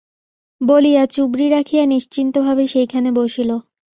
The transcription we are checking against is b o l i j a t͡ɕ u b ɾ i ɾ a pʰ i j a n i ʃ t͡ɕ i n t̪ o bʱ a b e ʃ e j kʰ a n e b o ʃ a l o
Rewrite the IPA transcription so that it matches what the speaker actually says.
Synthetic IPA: b o l i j a t͡ɕ u b ɾ i ɾ a kʰ i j a n i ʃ t͡ɕ i n t̪ o bʱ a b e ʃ e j kʰ a n e b o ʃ i l o